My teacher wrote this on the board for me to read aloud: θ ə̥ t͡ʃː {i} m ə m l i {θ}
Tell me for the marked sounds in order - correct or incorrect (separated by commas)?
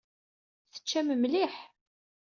incorrect, incorrect